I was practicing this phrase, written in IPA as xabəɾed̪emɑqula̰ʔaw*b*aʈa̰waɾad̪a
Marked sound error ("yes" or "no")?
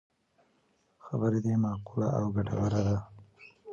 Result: yes